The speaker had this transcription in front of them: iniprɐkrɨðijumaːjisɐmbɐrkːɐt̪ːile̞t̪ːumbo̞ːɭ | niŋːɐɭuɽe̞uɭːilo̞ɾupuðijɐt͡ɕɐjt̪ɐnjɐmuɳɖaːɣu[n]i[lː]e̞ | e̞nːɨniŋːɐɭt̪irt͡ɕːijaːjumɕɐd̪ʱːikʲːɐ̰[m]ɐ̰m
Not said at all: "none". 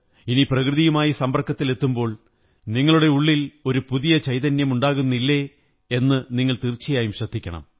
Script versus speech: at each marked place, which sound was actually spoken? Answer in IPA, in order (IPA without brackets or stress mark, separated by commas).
nː, lː, ɳ